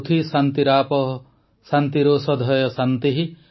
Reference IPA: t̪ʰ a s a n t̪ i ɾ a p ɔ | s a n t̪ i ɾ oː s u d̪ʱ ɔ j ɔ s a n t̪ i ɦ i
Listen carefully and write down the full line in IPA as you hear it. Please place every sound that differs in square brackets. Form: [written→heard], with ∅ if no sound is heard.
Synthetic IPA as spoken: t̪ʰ [a→i] s a n t̪ i ɾ a p ɔ | s a n t̪ i ɾ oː s [u→ɔ] d̪ʱ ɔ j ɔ s a n t̪ i ɦ i